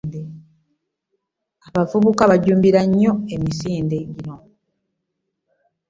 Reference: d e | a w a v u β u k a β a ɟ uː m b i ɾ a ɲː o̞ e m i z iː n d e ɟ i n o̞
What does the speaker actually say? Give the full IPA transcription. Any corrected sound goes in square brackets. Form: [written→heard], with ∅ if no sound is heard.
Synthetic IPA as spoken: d e | a [w→β] a v u β u k a β a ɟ uː m b i ɾ a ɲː o̞ e m i [z→s] iː n d e ɟ i n o̞